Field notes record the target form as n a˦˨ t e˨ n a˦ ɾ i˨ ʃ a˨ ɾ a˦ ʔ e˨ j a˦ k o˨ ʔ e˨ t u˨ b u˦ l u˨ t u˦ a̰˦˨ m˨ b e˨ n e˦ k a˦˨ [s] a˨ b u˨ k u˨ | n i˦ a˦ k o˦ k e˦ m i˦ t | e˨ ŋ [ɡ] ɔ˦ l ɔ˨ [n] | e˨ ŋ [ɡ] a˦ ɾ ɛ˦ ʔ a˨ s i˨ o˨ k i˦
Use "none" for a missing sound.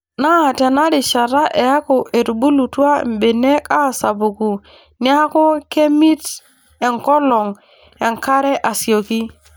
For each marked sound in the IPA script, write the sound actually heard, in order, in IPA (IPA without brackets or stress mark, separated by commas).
s, k, ŋ, k